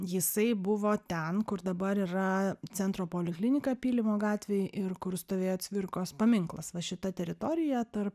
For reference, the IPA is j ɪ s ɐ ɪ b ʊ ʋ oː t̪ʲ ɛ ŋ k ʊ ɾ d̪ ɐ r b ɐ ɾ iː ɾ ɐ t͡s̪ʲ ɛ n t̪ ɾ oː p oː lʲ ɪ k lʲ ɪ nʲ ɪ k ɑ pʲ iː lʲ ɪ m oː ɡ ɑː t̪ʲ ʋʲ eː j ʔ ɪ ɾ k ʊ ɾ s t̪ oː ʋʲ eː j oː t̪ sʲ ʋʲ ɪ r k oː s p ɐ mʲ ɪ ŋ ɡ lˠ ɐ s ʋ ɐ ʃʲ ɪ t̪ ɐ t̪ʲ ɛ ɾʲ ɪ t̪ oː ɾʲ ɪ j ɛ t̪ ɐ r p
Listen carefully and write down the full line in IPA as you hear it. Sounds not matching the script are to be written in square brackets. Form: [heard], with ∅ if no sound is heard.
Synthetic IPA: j ɪ s ɐ ɪ b ʊ ʋ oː t̪ʲ ɛ [n] k ʊ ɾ d̪ ɐ [∅] b ɐ ɾ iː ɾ ɐ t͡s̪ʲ ɛ n t̪ ɾ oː p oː lʲ ɪ k lʲ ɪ nʲ ɪ k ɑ pʲ iː lʲ ɪ m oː ɡ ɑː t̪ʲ ʋʲ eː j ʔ ɪ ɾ k ʊ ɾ s t̪ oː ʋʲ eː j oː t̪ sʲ ʋʲ ɪ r k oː s p ɐ mʲ ɪ ŋ [k] lˠ ɐ s ʋ ɐ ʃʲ ɪ t̪ ɐ t̪ʲ ɛ ɾʲ ɪ t̪ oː ɾʲ ɪ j ɛ t̪ ɐ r p

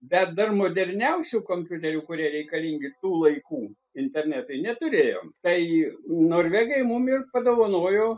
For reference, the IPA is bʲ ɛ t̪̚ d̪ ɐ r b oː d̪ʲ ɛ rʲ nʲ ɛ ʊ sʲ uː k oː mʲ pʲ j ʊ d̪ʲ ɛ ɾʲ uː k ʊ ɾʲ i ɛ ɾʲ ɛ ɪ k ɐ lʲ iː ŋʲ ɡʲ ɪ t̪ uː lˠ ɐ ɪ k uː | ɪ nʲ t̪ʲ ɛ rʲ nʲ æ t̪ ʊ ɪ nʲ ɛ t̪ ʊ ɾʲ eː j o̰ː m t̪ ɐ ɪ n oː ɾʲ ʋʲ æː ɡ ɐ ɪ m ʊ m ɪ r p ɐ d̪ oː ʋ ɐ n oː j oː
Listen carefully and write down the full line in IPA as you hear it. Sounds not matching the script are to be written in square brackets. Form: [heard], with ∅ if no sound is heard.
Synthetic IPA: bʲ ɛ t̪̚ d̪ ɐ r [m] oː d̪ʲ ɛ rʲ nʲ ɛ ʊ sʲ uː k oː mʲ pʲ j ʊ [t̪ʲ] ɛ ɾʲ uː k ʊ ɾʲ i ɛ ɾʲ ɛ ɪ k ɐ lʲ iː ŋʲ ɡʲ ɪ t̪ uː lˠ ɐ ɪ k uː | ɪ nʲ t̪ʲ ɛ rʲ nʲ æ t̪ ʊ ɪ nʲ ɛ t̪ ʊ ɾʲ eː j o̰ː m t̪ ɐ ɪ n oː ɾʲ ʋʲ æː ɡ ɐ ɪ m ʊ m ɪ r p ɐ d̪ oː ʋ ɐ n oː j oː

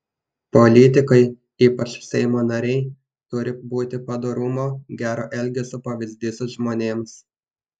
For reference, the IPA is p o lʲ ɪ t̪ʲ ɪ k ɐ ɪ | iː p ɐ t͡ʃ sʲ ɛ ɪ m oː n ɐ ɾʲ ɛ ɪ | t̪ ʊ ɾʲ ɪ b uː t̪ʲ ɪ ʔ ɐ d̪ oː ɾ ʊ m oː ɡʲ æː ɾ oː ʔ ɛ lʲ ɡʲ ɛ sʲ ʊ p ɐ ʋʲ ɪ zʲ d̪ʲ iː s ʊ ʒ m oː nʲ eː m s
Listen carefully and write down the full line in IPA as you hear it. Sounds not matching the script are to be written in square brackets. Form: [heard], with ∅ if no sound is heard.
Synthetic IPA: p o lʲ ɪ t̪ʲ ɪ k ɐ ɪ | iː p ɐ t͡ʃ sʲ ɛ ɪ m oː n ɐ ɾʲ ɛ ɪ | t̪ ʊ ɾʲ ɪ b uː t̪ʲ ɪ [p] ɐ d̪ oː ɾ ʊ m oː ɡʲ æː ɾ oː ʔ ɛ lʲ ɡʲ ɛ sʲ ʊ p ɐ ʋʲ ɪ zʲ d̪ʲ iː s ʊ ʒ m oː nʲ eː m s

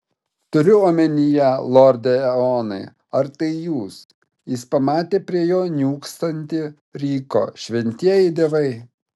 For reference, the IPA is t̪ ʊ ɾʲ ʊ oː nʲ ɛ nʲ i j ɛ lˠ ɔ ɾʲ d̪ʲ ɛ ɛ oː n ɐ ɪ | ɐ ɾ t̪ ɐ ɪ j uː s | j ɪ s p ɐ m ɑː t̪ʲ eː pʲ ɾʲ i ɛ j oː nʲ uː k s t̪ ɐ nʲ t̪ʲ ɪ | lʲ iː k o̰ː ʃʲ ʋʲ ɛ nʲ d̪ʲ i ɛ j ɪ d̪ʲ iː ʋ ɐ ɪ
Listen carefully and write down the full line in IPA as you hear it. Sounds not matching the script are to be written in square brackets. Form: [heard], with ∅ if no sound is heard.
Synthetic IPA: t̪ ʊ ɾʲ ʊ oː [mʲ] ɛ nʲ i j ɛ lˠ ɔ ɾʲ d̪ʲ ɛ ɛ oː n ɐ ɪ | ɐ ɾ t̪ ɐ ɪ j uː s | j ɪ s p ɐ m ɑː t̪ʲ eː pʲ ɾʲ i ɛ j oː nʲ uː k s t̪ ɐ nʲ t̪ʲ ɪ | [ɾʲ] iː k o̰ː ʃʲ ʋʲ ɛ nʲ [t̪ʲ] i ɛ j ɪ d̪ʲ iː ʋ ɐ ɪ

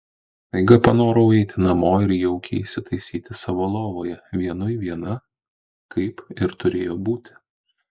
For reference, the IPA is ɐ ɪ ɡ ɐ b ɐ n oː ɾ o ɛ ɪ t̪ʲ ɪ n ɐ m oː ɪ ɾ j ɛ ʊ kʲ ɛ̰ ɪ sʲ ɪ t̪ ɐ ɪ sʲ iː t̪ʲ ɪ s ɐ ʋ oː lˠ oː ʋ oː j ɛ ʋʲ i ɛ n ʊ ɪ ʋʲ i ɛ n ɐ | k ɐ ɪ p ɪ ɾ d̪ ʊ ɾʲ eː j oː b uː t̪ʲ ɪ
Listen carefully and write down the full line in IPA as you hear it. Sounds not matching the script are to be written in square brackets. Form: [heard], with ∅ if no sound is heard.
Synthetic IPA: ɐ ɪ ɡ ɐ [p] ɐ n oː ɾ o ɛ ɪ t̪ʲ ɪ n ɐ m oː ɪ ɾ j ɛ ʊ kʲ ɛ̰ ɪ sʲ ɪ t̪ ɐ ɪ sʲ iː t̪ʲ ɪ s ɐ ʋ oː lˠ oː ʋ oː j ɛ ʋʲ i ɛ n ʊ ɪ ʋʲ i ɛ n ɐ | k ɐ ɪ p ɪ ɾ [t̪] ʊ ɾʲ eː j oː b uː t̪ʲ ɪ

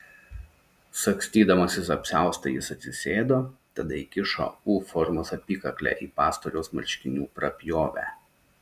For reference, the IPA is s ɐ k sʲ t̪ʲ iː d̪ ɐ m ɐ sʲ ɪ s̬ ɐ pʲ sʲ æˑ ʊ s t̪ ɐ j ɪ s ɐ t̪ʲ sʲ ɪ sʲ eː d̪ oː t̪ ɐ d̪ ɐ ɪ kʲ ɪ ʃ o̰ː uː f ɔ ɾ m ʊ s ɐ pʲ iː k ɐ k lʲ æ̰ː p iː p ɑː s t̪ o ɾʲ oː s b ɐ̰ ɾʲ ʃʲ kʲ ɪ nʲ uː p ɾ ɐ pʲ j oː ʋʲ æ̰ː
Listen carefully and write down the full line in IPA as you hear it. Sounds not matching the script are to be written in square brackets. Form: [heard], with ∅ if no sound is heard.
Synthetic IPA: s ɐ k sʲ t̪ʲ iː d̪ ɐ m ɐ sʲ ɪ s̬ ɐ pʲ sʲ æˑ ʊ s t̪ ɐ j ɪ s ɐ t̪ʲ sʲ ɪ sʲ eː d̪ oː t̪ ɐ d̪ ɐ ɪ kʲ ɪ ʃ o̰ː uː f ɔ ɾ m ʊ s ɐ pʲ iː k ɐ k lʲ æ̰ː [ʔ] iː p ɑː s t̪ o ɾʲ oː s [m] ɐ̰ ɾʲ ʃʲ kʲ ɪ nʲ uː p ɾ ɐ pʲ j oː ʋʲ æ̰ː

